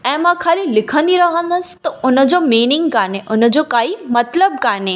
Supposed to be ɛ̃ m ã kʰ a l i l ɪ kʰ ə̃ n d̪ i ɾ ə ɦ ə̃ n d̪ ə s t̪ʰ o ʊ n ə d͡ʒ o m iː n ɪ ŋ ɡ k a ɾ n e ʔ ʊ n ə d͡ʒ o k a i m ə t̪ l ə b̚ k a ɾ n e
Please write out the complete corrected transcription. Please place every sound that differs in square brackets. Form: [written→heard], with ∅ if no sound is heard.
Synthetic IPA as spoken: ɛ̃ m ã kʰ a l i l ɪ kʰ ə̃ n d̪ i ɾ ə ɦ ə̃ n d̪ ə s [t̪ʰ→t̪] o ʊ n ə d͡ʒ o m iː n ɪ ŋ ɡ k a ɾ n e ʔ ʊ n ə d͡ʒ o k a i m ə t̪ l ə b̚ k a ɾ n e